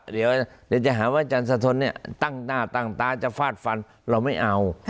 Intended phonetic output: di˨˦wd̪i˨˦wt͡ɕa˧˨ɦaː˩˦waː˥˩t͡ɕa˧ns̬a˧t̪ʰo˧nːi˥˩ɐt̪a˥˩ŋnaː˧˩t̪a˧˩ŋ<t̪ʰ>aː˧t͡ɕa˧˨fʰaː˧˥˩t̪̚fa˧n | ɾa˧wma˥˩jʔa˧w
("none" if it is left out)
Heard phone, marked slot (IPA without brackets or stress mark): t̪